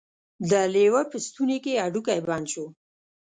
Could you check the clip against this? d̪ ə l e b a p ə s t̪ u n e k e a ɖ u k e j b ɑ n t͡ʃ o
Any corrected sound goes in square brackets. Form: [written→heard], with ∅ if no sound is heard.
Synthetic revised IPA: d̪ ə l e [b→w] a p ə s t̪ u n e k e a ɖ u k [e→a] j b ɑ n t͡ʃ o